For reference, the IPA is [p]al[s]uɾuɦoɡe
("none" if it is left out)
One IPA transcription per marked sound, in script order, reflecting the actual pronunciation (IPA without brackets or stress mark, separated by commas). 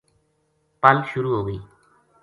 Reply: p, ʃ